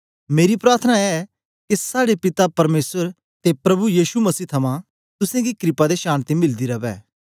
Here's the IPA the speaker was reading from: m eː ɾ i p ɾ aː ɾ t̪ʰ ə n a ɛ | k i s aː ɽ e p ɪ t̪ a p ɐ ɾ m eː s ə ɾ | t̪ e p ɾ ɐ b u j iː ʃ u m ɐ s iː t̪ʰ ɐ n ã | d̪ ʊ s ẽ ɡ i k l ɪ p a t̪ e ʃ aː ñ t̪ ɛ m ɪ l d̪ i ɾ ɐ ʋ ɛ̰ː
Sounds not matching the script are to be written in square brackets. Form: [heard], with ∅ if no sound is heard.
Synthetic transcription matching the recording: m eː ɾ i p ɾ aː ɾ t̪ʰ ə n a ɛ | k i s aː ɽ e p ɪ t̪ a p ɐ ɾ m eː s ə ɾ | t̪ e p ɾ ɐ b u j iː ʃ u m ɐ s iː t̪ʰ ɐ [m] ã | [t̪] ʊ s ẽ ɡ i k [ɾ] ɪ p a [d̪] e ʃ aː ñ t̪ [i] m ɪ l d̪ i ɾ ɐ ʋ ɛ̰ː